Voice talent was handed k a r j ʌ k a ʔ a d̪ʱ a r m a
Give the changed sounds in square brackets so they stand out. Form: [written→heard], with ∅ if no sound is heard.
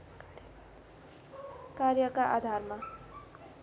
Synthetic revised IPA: k a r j ʌ k a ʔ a d̪ʱ a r m a